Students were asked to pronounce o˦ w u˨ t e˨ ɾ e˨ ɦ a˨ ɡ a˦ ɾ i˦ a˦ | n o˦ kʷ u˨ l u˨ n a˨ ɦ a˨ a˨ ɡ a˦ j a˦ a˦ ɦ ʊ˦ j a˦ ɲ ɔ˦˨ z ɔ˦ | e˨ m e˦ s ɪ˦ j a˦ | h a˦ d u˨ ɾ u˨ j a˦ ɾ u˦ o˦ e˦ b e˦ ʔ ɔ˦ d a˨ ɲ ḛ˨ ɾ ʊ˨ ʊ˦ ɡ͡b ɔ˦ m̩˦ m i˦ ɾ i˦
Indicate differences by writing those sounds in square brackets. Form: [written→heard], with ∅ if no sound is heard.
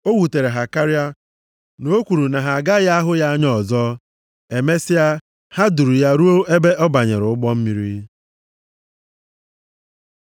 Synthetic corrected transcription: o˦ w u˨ t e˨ ɾ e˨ ɦ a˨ [ɡ→k] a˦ ɾ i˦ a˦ | n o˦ kʷ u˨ [l→ɾ] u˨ n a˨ ɦ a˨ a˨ ɡ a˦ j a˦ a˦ ɦ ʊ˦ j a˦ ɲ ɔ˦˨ z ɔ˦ | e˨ m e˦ s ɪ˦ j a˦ | h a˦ d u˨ ɾ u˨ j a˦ ɾ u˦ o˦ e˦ b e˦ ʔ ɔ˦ [d→b] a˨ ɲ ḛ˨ ɾ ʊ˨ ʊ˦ ɡ͡b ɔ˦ m̩˦ m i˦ ɾ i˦